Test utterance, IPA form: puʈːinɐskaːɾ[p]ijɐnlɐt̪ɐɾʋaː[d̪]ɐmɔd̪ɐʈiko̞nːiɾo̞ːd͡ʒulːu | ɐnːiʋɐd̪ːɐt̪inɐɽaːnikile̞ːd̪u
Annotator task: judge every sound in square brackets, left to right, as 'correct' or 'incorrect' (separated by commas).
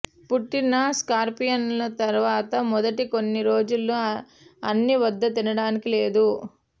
correct, incorrect